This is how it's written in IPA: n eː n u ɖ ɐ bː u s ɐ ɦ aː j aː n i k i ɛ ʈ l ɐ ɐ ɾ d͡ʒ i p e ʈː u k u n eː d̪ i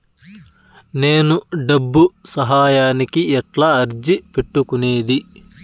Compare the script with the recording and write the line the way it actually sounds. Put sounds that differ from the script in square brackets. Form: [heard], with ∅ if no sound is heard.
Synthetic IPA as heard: n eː n u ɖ ɐ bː u s ɐ ɦ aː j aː n i k i ɛ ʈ l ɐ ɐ ɾ d͡ʒ i p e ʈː u k u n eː d̪ i